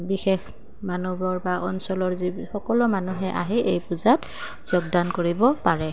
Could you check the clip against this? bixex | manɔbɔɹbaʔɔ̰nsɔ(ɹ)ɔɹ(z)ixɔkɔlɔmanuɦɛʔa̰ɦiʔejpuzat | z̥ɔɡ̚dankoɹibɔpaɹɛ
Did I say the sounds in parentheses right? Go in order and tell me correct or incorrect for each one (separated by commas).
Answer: incorrect, correct